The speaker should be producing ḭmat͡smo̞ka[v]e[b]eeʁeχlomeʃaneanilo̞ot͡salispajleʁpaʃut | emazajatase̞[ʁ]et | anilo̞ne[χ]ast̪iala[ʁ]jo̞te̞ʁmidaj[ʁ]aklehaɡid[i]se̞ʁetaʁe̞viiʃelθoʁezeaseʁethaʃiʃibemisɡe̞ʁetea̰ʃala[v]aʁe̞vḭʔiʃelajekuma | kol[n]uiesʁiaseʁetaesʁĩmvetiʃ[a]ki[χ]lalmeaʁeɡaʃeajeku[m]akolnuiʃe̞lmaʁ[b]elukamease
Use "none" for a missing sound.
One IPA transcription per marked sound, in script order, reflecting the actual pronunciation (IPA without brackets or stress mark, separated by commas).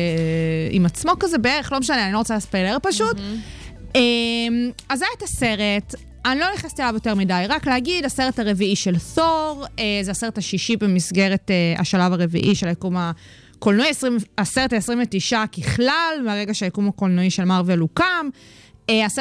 z, b, ʁ, χ, v, ʁ, a, v, n, a, χ, m, v